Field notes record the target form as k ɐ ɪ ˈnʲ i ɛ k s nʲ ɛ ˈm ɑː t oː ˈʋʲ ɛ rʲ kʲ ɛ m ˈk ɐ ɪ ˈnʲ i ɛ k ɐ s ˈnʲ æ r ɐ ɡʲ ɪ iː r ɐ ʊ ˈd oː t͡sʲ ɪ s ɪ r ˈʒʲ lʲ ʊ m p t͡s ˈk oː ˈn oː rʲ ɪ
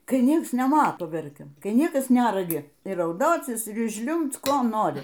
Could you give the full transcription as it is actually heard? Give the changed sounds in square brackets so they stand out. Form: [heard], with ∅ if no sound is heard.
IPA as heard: k ɐ ɪ ˈnʲ i ɛ k s nʲ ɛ ˈm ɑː t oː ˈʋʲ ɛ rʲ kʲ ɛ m ˈk ɐ ɪ ˈnʲ i ɛ k ɐ s ˈnʲ æ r ɐ ɡʲ ɪ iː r ɐ ʊ ˈd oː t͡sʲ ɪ s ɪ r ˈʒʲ lʲ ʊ m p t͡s ˈk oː ˈn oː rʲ ɪ

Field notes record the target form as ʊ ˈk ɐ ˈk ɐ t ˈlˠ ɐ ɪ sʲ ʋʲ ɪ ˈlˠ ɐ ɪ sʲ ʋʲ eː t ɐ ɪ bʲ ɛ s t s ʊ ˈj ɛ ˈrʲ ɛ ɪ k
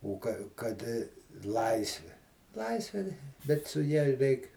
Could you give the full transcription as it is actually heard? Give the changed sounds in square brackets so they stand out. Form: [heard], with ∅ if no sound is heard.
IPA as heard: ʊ ˈk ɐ ˈk ɐ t ˈlˠ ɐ ɪ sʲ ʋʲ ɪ ˈlˠ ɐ ɪ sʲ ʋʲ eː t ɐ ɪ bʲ ɛ [∅] t s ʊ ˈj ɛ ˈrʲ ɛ ɪ k

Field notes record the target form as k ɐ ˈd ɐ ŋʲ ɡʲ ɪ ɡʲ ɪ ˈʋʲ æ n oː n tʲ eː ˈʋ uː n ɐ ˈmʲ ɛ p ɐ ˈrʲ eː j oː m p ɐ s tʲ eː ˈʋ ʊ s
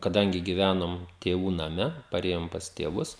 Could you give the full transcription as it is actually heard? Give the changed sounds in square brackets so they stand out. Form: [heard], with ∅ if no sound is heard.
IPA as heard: k ɐ ˈd ɐ ŋʲ ɡʲ ɪ ɡʲ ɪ ˈʋʲ æ n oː [m] tʲ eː ˈʋ uː n ɐ ˈmʲ ɛ p ɐ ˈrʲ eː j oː m p ɐ s tʲ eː ˈʋ ʊ s

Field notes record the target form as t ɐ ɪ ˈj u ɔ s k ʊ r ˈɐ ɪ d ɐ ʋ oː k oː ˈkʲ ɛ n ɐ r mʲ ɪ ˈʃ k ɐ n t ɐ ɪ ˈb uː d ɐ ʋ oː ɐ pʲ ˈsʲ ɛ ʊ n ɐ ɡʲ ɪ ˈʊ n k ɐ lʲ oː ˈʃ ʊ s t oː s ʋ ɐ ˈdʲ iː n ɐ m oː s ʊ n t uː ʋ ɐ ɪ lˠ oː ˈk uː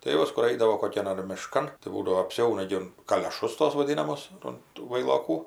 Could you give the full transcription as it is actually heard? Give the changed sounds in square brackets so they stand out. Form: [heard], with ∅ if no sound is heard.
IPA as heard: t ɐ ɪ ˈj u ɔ s k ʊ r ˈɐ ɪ d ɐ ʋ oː k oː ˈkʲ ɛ n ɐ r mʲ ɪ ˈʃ k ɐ n t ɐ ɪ ˈb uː d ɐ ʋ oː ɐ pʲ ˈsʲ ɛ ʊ n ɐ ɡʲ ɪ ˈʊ n k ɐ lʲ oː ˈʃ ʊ s t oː s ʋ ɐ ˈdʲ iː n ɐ m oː s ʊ n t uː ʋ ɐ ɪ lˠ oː ˈk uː

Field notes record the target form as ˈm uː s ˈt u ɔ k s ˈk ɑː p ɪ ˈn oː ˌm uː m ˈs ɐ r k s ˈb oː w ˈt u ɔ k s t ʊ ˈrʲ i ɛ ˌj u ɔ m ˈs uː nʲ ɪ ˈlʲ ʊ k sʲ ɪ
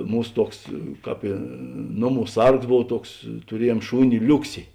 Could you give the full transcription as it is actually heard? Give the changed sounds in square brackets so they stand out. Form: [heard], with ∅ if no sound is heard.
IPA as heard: ˈm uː s ˈt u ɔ k s ˈk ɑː p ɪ ˈn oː ˌm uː [∅] ˈs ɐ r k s ˈb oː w ˈt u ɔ k s t ʊ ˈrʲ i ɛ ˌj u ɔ m [ˈʃ] uː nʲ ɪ ˈlʲ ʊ k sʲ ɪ

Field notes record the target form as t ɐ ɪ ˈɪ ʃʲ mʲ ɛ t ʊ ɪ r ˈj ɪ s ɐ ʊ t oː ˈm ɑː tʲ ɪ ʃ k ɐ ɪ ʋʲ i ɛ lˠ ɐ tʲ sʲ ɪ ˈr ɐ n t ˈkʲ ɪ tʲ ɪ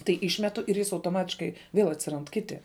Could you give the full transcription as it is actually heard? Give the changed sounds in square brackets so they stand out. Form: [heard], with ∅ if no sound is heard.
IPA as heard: t ɐ ɪ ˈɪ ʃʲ mʲ ɛ t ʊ ɪ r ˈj ɪ s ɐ ʊ t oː ˈm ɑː tʲ ɪ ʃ k ɐ ɪ ʋʲ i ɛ lˠ ɐ tʲ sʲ ɪ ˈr ɐ n t ˈkʲ ɪ tʲ ɪ

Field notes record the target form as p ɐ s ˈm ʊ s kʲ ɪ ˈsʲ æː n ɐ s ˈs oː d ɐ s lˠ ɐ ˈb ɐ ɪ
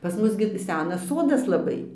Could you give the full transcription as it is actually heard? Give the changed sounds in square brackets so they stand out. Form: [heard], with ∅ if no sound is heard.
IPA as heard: p ɐ s ˈm ʊ s [ɡʲ] ɪ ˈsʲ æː n ɐ s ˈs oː d ɐ s lˠ ɐ ˈb ɐ ɪ

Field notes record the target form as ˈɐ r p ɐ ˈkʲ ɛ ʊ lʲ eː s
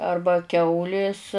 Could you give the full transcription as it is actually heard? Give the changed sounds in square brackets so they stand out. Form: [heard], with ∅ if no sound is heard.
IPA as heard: ˈɐ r [b] ɐ ˈkʲ ɛ ʊ lʲ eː s

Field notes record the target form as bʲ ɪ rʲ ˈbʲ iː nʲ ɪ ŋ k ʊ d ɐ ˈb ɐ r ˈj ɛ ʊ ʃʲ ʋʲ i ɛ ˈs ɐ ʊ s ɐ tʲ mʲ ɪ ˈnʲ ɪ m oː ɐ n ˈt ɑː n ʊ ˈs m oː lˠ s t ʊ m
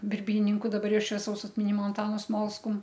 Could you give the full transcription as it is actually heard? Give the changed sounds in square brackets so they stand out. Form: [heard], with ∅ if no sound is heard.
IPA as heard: bʲ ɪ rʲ ˈbʲ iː nʲ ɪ ŋ k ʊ d ɐ ˈb ɐ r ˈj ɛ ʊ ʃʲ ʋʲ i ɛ ˈs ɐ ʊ s ɐ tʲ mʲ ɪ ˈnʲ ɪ m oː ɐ n ˈt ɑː n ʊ ˈs m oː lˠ s [k] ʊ m

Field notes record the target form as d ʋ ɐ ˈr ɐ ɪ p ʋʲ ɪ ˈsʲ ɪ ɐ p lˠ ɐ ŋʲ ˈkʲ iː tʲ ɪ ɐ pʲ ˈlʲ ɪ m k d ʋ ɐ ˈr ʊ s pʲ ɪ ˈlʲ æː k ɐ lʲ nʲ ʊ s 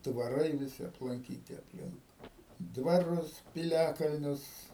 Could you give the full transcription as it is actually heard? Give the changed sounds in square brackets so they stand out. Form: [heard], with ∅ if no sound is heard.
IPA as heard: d ʋ ɐ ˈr ɐ ɪ [∅] ʋʲ ɪ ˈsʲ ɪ ɐ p lˠ ɐ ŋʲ ˈkʲ iː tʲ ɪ ɐ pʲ ˈlʲ ɪ [ŋ] k d ʋ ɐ ˈr ʊ s pʲ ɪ ˈlʲ æː k ɐ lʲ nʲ ʊ s

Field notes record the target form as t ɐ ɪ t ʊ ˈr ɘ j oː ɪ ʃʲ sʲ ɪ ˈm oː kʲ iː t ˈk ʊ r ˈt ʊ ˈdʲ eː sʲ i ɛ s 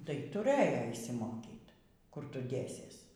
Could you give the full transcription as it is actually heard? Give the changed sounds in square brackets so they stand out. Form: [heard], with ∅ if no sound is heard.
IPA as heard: t ɐ ɪ t ʊ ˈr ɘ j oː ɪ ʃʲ sʲ ɪ ˈm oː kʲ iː t ˈk ʊ r ˈt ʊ ˈdʲ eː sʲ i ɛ s

